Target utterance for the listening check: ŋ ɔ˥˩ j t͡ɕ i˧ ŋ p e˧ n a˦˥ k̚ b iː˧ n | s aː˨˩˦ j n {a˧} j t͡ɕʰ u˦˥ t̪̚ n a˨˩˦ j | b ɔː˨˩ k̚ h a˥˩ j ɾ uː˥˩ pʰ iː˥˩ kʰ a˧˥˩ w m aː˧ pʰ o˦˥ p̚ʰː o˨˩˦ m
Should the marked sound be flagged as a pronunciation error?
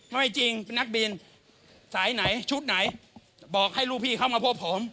yes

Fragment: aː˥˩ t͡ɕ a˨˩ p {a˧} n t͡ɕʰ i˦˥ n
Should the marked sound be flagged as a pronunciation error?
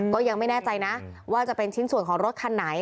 yes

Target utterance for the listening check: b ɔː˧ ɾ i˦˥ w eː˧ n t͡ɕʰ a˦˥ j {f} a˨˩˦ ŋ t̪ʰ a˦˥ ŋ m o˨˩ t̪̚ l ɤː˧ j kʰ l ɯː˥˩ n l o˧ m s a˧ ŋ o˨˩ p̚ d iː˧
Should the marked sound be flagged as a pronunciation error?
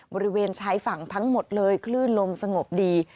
no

